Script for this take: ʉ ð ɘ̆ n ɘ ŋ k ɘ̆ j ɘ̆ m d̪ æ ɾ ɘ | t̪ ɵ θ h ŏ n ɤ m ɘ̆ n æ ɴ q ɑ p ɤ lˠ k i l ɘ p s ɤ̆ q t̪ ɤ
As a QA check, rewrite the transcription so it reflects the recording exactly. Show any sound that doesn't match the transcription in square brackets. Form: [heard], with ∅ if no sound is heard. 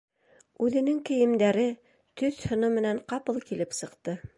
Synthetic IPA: ʉ ð ɘ̆ n ɘ ŋ k ɘ̆ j ɘ̆ m d̪ æ ɾ ɘ | t̪ ɵ θ h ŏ n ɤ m ɘ̆ n æ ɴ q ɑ p ɤ lˠ k i l ɘ p s ɤ̆ q t̪ ɤ